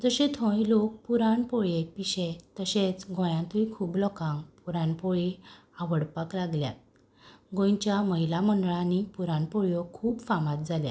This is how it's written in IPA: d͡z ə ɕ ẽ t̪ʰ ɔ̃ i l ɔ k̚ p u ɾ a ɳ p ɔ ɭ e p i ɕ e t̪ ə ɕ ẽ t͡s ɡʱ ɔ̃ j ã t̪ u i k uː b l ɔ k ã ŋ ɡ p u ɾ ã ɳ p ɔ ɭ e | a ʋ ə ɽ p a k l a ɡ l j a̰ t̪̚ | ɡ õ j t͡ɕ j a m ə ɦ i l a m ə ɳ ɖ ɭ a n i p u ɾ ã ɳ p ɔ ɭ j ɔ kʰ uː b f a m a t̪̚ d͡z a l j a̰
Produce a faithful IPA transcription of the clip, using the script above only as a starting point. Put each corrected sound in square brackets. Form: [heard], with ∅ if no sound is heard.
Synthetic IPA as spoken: d͡z ə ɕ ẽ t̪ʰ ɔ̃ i l [o] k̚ p u ɾ a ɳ p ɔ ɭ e p i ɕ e t̪ ə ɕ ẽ t͡s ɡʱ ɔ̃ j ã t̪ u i [kʰ] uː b l ɔ k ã ŋ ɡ p u ɾ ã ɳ p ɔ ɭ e | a ʋ ə ɽ p a k l a ɡ l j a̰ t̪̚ | ɡ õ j t͡ɕ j a m ə ɦ i l a m ə ɳ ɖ ɭ a n i p u ɾ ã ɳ p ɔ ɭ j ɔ kʰ uː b f a m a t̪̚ d͡z a l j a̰